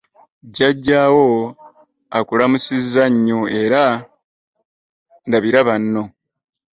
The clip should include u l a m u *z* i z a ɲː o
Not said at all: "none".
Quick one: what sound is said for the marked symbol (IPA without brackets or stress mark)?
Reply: s